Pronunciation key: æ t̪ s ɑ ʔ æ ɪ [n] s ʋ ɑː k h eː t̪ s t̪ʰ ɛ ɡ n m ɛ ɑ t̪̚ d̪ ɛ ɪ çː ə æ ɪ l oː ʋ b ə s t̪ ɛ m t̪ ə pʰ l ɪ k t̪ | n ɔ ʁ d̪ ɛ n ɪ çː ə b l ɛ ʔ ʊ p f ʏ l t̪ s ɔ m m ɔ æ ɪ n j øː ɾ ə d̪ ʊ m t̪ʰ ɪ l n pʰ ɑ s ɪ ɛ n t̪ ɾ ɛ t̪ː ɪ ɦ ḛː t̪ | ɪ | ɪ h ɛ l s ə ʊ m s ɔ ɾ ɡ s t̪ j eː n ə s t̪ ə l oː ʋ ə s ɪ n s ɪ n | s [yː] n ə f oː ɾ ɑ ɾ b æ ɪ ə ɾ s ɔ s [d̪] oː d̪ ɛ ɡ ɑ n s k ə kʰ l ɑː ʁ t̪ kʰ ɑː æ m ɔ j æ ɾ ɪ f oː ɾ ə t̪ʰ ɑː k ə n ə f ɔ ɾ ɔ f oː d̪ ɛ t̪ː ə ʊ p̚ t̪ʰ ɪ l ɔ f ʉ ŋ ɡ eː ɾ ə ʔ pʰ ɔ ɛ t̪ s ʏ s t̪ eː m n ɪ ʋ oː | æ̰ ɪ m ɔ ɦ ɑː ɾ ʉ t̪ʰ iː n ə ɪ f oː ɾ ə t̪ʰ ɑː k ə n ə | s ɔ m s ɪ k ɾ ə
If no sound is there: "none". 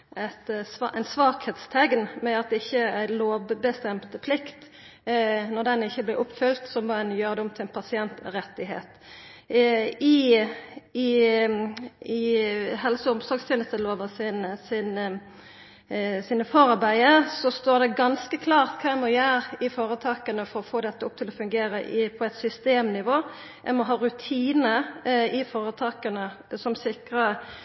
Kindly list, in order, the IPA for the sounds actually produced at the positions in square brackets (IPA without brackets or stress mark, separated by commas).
n, iː, t̪